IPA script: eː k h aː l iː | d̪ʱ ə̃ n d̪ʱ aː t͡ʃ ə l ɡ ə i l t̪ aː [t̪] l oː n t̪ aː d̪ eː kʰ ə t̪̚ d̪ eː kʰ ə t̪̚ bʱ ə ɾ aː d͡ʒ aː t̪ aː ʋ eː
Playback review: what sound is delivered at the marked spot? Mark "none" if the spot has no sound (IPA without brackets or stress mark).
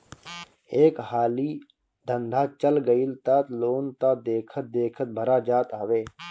t̪